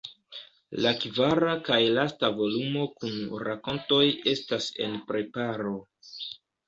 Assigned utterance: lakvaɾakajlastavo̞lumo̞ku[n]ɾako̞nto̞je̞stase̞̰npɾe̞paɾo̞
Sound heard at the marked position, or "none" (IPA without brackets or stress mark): n